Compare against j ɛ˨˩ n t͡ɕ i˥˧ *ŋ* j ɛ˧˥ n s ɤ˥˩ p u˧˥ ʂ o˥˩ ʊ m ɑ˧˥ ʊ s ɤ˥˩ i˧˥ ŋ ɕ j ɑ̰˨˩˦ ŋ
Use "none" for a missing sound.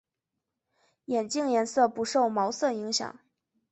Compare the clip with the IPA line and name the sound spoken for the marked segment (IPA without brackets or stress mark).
ŋ